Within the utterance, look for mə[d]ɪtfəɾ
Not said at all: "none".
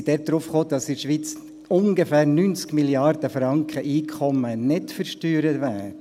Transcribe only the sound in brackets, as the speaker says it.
n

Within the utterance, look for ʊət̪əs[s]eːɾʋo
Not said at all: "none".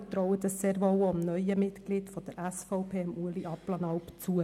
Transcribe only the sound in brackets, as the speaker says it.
s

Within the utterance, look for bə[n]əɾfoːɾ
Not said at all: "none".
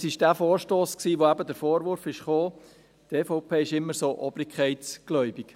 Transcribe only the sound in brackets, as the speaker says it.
d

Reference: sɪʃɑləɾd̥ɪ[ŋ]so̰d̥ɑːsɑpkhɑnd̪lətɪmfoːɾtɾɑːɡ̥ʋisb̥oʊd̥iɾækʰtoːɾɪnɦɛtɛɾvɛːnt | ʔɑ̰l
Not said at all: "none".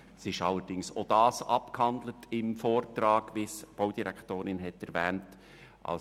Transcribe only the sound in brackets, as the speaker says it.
ŋ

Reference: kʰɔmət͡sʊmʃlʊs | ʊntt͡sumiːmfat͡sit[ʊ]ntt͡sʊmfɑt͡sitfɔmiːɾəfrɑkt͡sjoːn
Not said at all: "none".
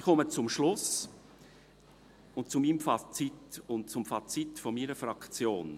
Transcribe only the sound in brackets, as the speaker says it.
ʊ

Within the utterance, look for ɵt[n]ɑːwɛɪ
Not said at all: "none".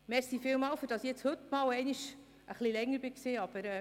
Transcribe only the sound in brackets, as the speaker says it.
m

